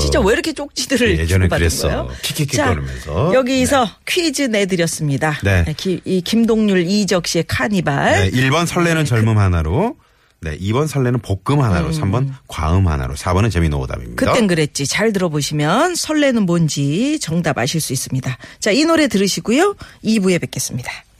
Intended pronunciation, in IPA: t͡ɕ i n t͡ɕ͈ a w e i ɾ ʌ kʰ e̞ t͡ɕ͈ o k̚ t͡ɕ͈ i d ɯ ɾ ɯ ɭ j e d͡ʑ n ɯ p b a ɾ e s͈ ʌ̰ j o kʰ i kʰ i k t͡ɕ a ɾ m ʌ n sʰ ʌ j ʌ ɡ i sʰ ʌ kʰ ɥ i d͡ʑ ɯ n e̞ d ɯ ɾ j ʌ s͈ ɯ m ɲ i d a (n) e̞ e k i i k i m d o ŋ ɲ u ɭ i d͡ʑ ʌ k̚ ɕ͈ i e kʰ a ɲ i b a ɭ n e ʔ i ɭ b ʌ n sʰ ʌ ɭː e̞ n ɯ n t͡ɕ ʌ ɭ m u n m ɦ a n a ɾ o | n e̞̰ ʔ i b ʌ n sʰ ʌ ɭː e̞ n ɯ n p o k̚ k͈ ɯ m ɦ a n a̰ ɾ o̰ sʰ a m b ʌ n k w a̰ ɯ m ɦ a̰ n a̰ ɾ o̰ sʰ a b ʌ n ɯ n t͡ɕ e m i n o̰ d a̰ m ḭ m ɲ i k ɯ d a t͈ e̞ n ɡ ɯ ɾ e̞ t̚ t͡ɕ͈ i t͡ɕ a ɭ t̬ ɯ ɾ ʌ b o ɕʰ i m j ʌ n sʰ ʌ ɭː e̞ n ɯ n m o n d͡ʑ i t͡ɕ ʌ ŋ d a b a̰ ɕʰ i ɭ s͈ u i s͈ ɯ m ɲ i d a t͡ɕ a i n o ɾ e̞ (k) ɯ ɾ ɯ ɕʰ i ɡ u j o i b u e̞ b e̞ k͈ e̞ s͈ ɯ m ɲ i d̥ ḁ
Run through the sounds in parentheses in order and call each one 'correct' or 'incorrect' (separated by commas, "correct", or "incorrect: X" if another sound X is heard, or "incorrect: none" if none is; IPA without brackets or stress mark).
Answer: correct, incorrect: t